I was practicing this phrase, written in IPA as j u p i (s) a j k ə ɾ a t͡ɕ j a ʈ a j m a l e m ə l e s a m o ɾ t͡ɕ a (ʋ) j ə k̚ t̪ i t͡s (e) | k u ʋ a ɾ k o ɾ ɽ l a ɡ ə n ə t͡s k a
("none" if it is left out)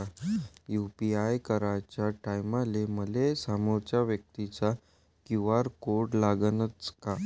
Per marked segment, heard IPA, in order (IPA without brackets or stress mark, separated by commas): none, ʋ, a